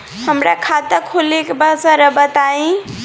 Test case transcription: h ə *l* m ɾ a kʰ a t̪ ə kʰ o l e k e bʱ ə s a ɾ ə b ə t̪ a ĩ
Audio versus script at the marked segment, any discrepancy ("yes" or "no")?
yes